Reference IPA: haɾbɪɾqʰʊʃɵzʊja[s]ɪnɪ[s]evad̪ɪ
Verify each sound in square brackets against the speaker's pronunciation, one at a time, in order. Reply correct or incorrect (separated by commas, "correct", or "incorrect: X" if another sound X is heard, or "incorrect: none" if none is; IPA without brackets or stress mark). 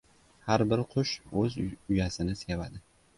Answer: correct, correct